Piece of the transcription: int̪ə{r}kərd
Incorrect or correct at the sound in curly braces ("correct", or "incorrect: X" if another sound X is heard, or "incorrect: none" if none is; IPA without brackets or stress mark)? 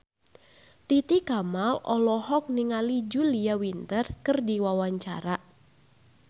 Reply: correct